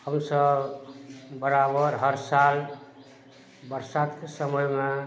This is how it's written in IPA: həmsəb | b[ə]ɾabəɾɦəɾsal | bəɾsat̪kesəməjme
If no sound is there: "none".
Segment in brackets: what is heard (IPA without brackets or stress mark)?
ə